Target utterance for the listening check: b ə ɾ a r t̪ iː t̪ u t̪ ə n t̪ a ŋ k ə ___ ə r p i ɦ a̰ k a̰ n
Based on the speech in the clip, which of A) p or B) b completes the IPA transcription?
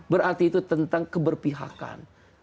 B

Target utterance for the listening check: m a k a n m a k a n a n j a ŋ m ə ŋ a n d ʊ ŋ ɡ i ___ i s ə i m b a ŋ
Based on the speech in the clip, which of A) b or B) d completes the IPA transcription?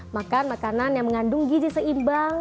B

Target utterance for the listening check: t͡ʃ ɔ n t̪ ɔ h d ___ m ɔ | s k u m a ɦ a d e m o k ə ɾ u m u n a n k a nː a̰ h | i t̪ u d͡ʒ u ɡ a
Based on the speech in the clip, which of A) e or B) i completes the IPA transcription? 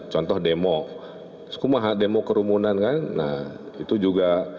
A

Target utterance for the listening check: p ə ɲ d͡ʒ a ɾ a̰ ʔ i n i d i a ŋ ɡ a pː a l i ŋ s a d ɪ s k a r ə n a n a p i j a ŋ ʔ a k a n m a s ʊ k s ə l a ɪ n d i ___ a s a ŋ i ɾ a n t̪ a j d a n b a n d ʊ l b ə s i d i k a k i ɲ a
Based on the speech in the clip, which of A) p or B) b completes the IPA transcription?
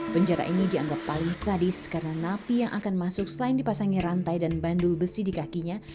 A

